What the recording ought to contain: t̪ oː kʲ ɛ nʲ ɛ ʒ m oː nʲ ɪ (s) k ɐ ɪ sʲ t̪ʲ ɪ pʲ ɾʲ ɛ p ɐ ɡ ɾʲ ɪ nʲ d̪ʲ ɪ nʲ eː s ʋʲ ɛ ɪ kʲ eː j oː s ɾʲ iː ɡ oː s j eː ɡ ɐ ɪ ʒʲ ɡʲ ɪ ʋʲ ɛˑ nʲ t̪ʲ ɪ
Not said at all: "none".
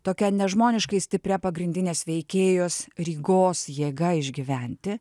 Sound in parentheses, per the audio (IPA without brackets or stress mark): ʃ